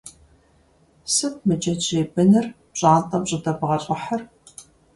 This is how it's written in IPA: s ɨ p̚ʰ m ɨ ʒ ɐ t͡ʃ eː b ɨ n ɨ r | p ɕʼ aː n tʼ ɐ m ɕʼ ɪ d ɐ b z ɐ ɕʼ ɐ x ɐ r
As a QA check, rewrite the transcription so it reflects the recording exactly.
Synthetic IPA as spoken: s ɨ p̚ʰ m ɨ d͡ʒ ɐ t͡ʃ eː b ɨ n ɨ r | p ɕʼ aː n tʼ ɐ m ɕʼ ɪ d ɐ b ʁ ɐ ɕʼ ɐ ħ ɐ r